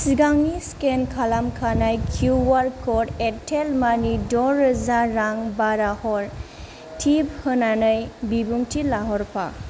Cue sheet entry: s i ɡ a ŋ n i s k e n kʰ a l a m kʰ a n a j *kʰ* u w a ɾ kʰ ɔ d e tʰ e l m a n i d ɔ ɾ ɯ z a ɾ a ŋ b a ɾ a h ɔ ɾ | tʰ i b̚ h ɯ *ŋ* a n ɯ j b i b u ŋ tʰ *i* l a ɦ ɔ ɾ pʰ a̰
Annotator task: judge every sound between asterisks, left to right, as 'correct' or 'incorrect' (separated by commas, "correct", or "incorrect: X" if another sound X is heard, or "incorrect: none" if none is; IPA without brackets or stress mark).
correct, incorrect: n, correct